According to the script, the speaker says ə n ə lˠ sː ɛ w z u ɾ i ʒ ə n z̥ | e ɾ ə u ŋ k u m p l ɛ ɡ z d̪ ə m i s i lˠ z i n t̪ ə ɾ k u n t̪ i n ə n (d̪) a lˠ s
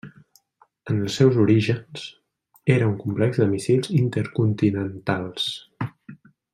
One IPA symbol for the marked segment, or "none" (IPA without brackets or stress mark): t̪